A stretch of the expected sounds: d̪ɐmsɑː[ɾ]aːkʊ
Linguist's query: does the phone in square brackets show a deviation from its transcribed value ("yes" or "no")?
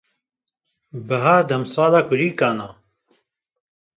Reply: yes